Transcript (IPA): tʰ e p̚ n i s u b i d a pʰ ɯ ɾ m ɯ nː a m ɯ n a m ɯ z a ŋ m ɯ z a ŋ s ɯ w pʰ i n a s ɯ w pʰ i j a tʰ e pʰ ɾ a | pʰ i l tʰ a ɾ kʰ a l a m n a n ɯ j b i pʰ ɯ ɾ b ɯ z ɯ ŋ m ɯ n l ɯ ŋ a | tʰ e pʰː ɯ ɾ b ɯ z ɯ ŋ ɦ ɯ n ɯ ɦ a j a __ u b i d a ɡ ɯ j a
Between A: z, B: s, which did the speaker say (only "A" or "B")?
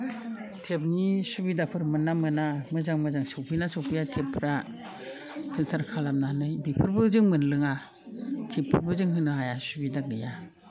B